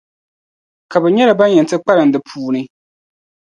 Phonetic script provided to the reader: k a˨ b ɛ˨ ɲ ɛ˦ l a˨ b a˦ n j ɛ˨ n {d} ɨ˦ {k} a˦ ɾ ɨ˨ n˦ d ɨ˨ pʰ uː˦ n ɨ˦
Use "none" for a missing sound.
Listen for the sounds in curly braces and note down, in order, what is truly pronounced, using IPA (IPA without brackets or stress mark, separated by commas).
t, k͡p